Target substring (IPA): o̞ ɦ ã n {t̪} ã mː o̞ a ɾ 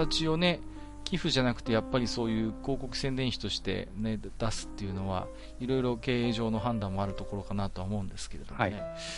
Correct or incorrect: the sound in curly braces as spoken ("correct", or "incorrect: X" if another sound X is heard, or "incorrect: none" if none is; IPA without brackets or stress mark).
incorrect: d̪